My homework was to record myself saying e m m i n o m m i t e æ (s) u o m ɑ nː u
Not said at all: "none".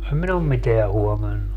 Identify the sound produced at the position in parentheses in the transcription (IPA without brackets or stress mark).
h